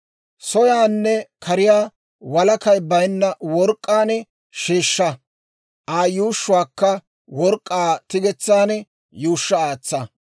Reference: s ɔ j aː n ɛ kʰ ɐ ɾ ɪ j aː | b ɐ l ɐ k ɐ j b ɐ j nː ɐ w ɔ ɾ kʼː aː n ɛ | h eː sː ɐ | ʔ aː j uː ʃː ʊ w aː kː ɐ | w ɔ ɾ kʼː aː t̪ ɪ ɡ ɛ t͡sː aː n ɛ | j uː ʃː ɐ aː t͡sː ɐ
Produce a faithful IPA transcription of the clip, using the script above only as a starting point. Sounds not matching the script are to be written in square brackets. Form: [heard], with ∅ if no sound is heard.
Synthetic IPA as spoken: s ɔ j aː [nː] ɛ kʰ ɐ ɾ ɪ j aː | [w] ɐ l ɐ k ɐ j b ɐ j nː ɐ w ɔ ɾ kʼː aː n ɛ | [ʃ] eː [ʃː] ɐ | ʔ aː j uː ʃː ʊ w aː kː ɐ | w ɔ ɾ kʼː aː t̪ ɪ ɡ ɛ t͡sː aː n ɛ | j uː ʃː ɐ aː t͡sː ɐ